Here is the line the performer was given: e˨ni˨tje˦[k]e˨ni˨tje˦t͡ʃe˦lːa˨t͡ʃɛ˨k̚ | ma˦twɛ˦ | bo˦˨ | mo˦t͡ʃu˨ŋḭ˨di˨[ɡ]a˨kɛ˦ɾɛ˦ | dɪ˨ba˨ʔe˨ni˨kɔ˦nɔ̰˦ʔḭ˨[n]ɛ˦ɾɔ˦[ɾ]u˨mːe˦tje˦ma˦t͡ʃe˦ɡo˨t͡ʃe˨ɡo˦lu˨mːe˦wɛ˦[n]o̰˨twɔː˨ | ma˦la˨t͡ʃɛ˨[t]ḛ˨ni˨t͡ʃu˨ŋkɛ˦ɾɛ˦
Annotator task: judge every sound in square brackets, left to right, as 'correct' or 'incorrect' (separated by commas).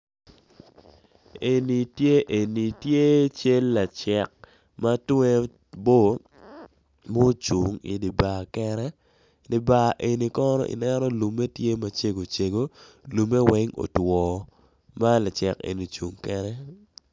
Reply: incorrect, incorrect, correct, incorrect, incorrect, incorrect